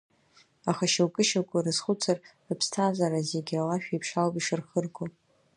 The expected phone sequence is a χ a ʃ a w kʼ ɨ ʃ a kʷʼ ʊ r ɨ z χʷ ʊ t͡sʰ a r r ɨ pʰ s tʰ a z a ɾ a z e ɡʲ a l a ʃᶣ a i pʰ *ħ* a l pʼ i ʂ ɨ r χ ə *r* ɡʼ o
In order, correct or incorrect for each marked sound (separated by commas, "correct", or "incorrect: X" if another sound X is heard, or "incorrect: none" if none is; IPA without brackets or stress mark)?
incorrect: ʂ, correct